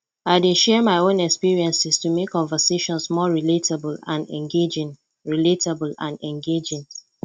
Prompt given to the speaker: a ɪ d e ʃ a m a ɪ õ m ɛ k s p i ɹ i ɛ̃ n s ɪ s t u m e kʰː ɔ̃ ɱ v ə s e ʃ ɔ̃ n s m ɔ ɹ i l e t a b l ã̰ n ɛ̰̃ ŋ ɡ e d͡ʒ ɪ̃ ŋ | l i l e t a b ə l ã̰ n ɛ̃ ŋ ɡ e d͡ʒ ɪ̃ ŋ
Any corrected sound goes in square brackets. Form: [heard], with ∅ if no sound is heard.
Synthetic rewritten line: a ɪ d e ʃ [ɛ] m a ɪ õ [n] ɛ k s p i ɹ i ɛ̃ n s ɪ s t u m e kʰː ɔ̃ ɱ v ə s e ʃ ɔ̃ n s m ɔ ɹ i l e t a b l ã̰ n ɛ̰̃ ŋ ɡ e d͡ʒ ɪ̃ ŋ | [ɹ] i l e t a b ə l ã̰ n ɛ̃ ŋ ɡ e d͡ʒ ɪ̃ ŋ